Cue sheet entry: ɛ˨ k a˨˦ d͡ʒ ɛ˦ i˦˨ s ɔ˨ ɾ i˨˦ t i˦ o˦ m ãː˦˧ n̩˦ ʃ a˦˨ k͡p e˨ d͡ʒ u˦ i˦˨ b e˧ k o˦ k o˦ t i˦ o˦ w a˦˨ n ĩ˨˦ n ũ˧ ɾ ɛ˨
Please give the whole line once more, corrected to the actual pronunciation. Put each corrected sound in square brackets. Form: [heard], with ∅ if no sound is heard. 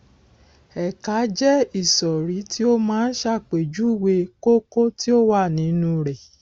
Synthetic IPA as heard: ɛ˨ k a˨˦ d͡ʒ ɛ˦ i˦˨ s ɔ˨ ɾ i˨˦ t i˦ o˦ m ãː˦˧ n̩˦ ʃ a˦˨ k͡p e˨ d͡ʒ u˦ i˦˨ [w] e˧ k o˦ k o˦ t i˦ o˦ w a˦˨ n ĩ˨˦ n ũ˧ ɾ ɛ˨